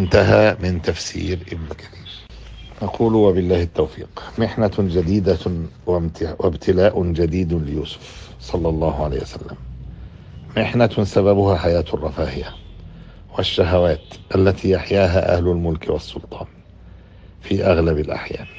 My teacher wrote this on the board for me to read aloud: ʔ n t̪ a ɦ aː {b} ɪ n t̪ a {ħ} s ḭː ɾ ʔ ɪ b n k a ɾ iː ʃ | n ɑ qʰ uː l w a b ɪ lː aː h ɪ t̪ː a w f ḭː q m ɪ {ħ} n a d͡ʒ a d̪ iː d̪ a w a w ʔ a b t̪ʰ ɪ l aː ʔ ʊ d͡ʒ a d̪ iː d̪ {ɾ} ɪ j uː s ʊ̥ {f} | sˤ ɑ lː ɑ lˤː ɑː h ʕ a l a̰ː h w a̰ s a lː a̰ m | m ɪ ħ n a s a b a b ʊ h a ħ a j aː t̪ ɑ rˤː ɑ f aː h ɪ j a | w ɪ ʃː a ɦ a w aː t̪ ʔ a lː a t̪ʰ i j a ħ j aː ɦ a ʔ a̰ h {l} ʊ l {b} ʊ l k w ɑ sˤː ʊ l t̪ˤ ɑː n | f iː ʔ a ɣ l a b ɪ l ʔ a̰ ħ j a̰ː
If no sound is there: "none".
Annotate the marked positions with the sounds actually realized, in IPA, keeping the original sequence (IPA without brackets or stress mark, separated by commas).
m, f, ħ, l, f, l, m